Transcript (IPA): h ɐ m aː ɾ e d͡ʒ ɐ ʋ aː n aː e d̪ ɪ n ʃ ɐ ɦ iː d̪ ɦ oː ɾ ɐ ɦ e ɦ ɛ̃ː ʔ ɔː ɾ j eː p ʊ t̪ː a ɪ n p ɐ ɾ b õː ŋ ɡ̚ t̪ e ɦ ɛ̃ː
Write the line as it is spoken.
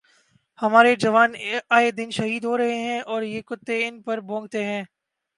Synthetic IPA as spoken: h ɐ m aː ɾ e d͡ʒ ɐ ʋ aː n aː e d̪ ɪ n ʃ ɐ ɦ iː d̪ ɦ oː ɾ ɐ ɦ e ɦ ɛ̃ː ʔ ɔː ɾ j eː k ʊ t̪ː e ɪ n p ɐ ɾ b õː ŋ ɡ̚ t̪ e ɦ ɛ̃ː